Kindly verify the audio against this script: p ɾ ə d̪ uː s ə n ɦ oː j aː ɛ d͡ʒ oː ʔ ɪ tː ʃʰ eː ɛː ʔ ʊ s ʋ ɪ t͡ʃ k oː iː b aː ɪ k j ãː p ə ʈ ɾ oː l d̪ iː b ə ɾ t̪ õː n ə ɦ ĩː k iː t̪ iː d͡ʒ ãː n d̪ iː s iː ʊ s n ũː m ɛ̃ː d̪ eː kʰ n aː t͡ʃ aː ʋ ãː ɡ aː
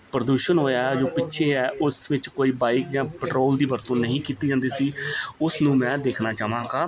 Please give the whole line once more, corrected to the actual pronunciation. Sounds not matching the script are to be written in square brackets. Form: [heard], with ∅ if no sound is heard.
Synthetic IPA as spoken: p ɾ ə d̪ uː [ʃ] ə n ɦ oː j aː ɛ d͡ʒ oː [p] ɪ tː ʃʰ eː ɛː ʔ ʊ s ʋ ɪ t͡ʃ k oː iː b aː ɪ k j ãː p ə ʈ ɾ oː l d̪ iː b ə ɾ t̪ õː n ə ɦ ĩː k iː t̪ iː d͡ʒ ãː n d̪ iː s iː ʊ s n ũː m ɛ̃ː d̪ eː kʰ n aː t͡ʃ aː ʋ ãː ɡ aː